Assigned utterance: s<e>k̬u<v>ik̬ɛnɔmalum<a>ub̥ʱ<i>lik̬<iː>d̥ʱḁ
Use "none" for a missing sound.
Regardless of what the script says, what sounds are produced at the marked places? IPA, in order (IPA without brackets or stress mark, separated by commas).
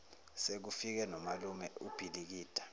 e, f, ɛ, i, iː